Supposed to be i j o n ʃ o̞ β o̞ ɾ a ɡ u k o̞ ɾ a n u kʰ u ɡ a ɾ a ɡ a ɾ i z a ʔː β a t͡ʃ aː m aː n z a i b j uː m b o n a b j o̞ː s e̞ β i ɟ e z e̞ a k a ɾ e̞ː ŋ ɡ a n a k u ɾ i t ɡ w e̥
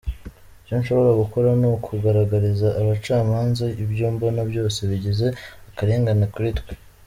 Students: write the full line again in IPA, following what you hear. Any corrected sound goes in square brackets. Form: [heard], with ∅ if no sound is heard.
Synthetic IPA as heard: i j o n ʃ o̞ β o̞ ɾ a ɡ u k o̞ ɾ a n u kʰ u ɡ a ɾ a ɡ a ɾ i z a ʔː β a t͡ʃ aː m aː n z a i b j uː m b o n a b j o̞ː s e̞ β i ɟ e z e̞ a k a ɾ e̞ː ŋ ɡ a n a k u ɾ i t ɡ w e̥